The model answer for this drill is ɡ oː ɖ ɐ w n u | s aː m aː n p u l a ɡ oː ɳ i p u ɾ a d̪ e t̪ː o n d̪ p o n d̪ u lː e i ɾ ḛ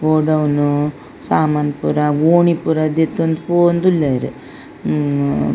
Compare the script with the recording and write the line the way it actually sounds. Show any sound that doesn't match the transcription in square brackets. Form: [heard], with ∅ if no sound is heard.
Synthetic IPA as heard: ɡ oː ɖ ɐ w n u | s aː m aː n p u [ɾ] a ɡ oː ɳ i p u ɾ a d̪ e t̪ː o n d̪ p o n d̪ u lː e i ɾ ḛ